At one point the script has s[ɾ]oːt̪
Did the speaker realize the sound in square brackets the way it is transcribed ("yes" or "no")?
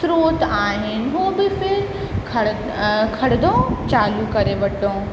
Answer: yes